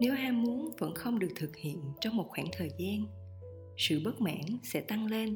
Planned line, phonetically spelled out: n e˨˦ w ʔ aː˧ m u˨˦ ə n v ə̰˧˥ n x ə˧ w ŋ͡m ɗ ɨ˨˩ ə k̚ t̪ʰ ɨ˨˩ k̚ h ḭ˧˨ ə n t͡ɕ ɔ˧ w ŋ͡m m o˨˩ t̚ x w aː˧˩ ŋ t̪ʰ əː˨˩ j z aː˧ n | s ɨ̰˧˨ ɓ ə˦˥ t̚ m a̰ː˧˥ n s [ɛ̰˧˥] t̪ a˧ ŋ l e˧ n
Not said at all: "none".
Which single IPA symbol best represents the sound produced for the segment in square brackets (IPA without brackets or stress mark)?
ɛ̰˧˥